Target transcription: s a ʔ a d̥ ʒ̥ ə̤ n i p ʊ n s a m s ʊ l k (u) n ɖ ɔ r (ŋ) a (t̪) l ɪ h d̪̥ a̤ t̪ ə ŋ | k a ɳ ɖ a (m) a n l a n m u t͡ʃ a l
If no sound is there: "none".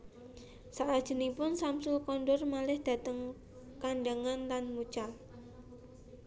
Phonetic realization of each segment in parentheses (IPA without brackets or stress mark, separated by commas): ɔ, m, none, ŋ